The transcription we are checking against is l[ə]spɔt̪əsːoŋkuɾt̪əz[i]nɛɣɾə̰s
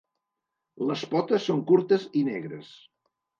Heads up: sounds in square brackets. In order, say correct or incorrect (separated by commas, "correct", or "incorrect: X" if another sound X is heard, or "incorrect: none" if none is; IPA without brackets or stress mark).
correct, correct